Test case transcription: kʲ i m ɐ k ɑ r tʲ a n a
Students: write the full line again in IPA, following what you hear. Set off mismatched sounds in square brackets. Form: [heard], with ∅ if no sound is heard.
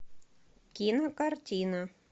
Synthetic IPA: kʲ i [n] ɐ k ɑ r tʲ [i] n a